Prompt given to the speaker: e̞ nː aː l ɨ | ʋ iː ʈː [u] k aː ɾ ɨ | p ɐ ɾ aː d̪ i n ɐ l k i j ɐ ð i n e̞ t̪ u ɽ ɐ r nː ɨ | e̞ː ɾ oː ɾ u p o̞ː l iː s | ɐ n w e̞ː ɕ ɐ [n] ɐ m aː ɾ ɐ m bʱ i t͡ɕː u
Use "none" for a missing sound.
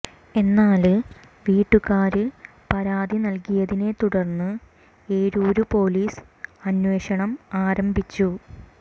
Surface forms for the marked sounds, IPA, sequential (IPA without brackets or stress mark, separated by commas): u, ɳ